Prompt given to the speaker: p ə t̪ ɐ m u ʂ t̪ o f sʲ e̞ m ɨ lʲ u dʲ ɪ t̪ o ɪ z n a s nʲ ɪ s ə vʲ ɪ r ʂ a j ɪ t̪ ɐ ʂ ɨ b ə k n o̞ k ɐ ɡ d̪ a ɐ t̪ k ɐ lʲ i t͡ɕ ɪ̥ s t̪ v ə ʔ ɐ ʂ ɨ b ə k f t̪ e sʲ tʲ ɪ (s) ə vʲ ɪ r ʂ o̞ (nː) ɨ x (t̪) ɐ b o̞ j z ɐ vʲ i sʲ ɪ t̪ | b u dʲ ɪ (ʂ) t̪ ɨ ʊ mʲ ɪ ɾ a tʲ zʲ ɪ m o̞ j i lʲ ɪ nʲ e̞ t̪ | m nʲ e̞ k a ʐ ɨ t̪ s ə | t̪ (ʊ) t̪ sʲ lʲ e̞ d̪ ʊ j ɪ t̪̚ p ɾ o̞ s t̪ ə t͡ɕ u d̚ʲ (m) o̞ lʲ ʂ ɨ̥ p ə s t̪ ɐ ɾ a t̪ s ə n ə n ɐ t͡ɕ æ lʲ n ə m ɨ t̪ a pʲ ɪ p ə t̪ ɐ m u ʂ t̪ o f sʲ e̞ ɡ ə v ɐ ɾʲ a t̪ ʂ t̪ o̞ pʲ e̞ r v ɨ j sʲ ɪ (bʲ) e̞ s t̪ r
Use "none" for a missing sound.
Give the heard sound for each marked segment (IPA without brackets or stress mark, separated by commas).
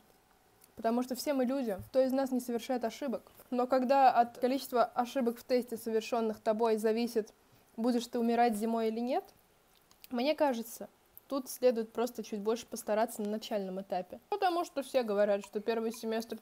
s, nː, t̪, ʂ, u, b, mʲ